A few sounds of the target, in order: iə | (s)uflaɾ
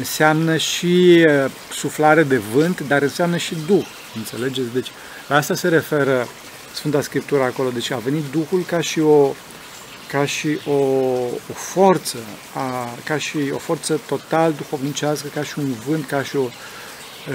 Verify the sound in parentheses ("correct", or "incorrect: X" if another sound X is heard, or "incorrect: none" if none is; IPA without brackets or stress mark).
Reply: correct